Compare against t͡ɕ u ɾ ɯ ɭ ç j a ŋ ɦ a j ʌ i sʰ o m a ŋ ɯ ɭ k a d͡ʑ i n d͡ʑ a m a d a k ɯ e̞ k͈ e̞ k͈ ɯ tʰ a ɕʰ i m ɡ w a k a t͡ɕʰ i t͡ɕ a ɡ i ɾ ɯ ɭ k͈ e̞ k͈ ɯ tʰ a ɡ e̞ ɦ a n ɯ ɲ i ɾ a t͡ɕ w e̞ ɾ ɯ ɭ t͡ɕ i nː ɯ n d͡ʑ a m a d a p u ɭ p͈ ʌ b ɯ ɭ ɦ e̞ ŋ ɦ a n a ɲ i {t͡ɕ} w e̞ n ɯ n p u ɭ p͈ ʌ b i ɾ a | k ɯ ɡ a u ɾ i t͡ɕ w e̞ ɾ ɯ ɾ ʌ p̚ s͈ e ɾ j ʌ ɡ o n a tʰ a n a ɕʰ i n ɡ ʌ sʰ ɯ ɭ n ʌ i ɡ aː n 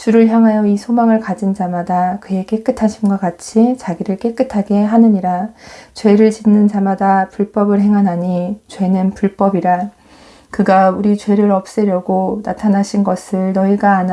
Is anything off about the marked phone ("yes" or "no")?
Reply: no